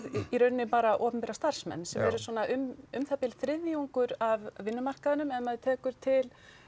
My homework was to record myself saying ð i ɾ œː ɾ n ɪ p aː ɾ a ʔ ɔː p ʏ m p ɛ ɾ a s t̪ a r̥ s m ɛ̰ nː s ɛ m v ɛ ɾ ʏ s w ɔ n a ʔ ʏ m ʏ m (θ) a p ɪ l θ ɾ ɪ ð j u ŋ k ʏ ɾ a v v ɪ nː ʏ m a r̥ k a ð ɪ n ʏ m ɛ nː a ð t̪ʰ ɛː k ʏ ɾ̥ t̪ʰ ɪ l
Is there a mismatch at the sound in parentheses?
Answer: no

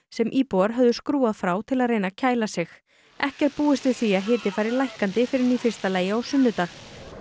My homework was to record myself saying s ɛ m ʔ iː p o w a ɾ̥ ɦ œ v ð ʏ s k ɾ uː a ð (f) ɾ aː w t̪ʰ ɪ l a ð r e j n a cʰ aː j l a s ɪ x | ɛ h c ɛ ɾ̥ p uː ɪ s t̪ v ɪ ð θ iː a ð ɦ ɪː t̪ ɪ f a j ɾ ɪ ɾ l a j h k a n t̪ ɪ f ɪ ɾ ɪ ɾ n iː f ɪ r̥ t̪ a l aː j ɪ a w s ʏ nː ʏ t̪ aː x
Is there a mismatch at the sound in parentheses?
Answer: no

